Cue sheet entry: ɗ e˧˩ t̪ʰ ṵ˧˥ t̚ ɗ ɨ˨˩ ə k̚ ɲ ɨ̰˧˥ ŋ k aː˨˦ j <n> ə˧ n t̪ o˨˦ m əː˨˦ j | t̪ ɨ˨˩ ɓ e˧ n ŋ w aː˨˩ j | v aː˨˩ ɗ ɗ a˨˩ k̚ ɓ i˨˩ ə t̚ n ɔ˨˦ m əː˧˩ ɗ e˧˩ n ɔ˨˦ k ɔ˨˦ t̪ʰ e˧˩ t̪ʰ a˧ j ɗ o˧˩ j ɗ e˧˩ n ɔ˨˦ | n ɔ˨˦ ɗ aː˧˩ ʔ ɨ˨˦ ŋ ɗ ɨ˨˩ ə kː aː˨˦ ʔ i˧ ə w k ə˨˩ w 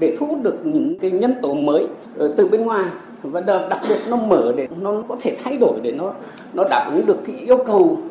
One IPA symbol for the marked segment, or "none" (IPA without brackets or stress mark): ɲ